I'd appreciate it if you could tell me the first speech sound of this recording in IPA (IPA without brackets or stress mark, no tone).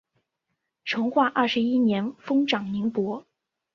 ʈ͡ʂʰ